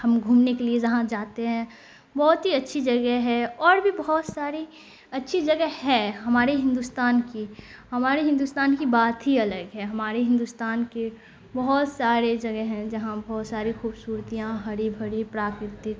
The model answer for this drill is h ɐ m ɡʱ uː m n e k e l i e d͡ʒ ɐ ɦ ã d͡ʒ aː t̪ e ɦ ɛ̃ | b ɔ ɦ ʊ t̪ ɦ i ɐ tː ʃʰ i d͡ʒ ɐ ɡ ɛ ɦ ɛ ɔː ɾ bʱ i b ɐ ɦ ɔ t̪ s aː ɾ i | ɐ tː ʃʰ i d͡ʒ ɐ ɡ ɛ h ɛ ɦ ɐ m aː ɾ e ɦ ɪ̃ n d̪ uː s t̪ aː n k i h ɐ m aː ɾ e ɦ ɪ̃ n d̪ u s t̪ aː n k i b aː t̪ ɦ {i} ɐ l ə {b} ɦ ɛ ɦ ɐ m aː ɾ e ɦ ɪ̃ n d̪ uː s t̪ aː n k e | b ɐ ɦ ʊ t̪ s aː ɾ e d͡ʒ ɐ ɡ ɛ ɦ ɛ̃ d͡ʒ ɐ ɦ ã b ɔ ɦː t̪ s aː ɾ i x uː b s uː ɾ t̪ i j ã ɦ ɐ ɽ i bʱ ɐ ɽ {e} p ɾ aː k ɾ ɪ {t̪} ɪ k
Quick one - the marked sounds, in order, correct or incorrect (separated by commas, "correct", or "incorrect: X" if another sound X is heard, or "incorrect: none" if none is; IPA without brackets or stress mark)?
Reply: correct, incorrect: ɡ, incorrect: i, correct